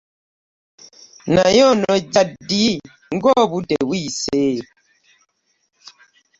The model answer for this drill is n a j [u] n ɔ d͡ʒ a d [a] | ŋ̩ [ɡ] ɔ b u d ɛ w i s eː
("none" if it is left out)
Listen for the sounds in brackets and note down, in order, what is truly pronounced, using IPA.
ɔ, i, ɡ

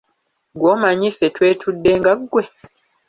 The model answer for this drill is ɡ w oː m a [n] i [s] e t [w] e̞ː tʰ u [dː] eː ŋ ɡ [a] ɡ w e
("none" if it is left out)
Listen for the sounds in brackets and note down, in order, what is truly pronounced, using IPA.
ɲ, f, w, dː, a

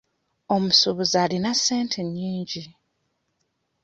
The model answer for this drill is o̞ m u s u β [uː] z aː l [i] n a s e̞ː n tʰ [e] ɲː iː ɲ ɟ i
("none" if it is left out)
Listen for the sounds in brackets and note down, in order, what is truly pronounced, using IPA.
u, i, e

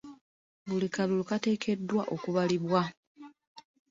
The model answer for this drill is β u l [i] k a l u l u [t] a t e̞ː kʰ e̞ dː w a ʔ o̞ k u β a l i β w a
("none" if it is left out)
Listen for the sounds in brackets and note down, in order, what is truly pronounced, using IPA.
i, k

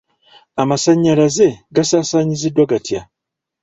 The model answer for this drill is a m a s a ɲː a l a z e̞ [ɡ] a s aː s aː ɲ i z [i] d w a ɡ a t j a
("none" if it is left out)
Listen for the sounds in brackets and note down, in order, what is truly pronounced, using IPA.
ɡ, i

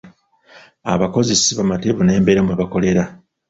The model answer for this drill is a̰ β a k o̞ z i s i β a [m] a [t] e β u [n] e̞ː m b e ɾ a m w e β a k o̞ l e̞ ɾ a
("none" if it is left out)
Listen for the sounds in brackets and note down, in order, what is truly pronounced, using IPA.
m, t, n

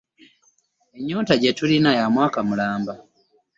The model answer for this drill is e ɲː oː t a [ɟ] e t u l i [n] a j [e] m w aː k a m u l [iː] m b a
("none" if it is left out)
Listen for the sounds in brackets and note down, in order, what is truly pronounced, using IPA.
ɟ, n, a, aː

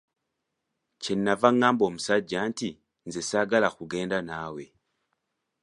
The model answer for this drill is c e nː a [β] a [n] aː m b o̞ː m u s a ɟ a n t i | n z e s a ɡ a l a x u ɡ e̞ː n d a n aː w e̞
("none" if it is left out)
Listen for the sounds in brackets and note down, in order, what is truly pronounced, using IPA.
v, ŋ

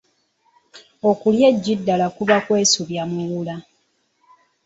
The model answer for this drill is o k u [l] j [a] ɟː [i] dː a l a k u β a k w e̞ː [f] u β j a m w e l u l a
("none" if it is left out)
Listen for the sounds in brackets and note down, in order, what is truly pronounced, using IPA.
l, e, i, s

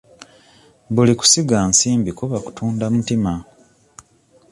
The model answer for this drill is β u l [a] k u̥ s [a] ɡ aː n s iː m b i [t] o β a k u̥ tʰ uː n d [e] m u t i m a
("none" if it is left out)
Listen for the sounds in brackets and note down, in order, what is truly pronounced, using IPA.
i, i, k, a

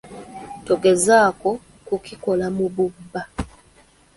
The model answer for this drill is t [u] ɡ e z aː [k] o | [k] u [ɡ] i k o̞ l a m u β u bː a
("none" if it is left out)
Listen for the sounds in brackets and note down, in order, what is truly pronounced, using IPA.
o, k, k, k

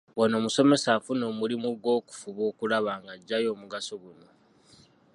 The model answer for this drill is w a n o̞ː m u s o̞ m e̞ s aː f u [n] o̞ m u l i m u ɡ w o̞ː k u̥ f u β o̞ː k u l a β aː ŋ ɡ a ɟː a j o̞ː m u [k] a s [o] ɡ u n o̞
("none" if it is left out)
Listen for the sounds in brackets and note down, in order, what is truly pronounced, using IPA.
n, ɡ, o

